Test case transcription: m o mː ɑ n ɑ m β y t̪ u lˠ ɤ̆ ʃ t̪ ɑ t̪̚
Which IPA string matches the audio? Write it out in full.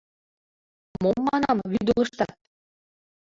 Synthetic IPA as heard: m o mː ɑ n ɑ m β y d̪ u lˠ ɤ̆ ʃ t̪ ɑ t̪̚

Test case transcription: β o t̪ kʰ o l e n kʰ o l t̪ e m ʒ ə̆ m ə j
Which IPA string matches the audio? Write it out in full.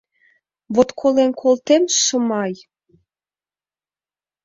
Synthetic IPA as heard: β o t̪ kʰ o l e n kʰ o l t̪ e m ʃ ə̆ m ɑ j

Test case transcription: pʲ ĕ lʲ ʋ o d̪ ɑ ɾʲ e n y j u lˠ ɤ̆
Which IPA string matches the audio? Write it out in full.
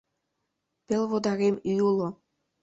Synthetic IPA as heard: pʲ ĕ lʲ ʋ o d̪ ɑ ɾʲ e m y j u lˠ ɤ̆

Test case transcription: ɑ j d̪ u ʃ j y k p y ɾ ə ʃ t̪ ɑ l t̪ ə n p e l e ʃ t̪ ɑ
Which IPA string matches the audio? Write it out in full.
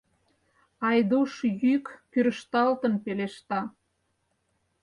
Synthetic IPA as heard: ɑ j d̪ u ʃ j y k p y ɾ ə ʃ t̪ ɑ l t̪ ə n p e l e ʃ t̪ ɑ

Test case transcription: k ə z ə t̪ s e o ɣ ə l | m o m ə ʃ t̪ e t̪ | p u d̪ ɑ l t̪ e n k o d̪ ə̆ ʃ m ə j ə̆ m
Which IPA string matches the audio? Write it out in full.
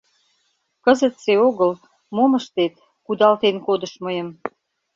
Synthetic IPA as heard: k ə z ə t̪ s e o ɣ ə l | m o m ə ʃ t̪ e t̪ | k u d̪ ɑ l t̪ e n k o d̪ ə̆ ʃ m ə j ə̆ m

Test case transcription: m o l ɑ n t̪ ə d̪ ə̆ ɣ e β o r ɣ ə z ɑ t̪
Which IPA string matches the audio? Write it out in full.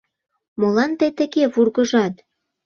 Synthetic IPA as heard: m o l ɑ n t̪ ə t̪ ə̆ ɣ e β u r ɣ ə ʒ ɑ t̪

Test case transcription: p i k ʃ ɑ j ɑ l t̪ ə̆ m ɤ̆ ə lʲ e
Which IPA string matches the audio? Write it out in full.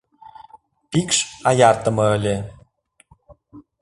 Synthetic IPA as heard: p i k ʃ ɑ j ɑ r t̪ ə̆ m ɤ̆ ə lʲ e

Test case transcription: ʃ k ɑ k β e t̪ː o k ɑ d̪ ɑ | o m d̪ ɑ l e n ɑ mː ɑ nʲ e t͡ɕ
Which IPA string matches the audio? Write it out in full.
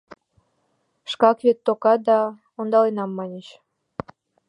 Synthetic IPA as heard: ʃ k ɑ k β e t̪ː o k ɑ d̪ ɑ | o n d̪ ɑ l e n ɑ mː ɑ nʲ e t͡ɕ

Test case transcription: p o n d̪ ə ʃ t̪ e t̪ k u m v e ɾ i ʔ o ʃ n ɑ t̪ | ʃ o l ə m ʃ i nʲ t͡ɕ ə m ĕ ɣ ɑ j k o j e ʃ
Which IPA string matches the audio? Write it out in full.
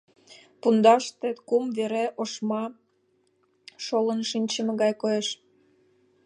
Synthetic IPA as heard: p u n d̪ ɑ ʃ t̪ e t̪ k u m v e ɾ e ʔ o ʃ m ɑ | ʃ o l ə n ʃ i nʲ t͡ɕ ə m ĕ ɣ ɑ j k o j e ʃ

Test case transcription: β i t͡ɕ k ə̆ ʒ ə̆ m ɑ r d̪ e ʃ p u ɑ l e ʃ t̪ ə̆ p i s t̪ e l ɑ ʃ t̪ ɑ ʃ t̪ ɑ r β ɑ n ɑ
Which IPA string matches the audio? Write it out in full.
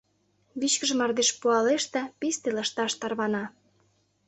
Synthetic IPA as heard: β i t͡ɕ k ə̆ ʒ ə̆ m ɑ r d̪ e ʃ p u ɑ l e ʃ t̪ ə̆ p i s t̪ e l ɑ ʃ t̪ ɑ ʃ t̪ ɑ r β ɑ n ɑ

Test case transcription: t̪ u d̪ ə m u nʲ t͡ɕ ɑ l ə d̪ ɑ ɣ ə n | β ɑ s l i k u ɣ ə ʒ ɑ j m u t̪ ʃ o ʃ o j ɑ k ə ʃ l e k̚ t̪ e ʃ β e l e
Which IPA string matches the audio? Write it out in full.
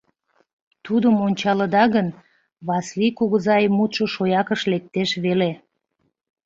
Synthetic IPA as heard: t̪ u d̪ ə m o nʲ t͡ɕ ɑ l ə d̪ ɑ ɣ ə n | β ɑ s l i k u ɣ ə z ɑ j m u t̪ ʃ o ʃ o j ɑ k ə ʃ l e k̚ t̪ e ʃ β e l e

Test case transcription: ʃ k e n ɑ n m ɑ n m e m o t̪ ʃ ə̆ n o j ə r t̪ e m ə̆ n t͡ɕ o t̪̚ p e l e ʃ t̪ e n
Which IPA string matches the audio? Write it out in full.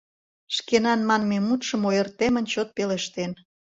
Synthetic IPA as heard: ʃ k e n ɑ n m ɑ n m e m u t̪ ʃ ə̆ m o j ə r t̪ e m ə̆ n t͡ɕ o t̪̚ p e l e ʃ t̪ e n

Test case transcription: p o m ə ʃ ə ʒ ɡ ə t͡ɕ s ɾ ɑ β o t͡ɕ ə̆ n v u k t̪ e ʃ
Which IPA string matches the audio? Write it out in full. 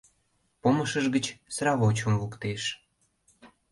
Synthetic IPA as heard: p o m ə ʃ ə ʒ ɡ ə t͡ɕ s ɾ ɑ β o t͡ɕ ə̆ m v u k t̪ e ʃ

